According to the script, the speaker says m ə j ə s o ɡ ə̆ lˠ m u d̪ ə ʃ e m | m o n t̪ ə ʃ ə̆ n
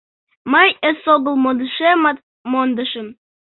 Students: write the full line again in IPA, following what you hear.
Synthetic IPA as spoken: m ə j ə s o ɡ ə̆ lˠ m o d̪ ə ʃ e m | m o n d̪ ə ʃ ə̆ m